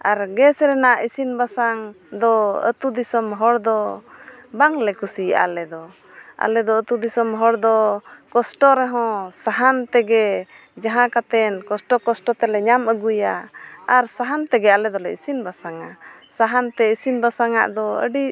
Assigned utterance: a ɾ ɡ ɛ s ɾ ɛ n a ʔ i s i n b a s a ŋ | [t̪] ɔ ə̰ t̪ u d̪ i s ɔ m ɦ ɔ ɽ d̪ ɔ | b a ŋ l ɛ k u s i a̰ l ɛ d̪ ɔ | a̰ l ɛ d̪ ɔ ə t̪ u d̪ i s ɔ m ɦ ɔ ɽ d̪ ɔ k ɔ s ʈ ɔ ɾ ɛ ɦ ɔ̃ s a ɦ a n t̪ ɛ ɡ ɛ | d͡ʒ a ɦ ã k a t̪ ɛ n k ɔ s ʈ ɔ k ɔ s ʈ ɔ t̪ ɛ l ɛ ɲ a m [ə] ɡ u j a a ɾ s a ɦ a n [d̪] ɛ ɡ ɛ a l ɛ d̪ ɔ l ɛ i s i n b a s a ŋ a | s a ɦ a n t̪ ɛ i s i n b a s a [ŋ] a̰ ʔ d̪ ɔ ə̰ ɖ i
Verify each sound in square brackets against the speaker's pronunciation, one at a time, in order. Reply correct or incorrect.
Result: incorrect, correct, incorrect, correct

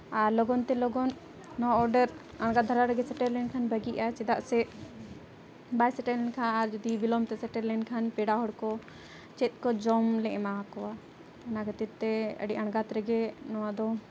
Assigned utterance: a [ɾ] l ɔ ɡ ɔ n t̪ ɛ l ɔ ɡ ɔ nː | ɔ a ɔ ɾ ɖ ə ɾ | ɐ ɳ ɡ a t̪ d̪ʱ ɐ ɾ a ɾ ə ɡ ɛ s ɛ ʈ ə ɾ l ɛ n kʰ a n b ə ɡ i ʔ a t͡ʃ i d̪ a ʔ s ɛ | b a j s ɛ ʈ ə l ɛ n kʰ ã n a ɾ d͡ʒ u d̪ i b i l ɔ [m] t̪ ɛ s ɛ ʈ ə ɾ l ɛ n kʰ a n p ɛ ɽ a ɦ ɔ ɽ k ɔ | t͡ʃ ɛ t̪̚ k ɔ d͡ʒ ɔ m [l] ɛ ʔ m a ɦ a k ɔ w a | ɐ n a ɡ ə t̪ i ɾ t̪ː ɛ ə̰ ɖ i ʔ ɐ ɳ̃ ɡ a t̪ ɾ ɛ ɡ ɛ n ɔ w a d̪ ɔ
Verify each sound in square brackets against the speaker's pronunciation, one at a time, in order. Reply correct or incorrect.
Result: correct, correct, correct

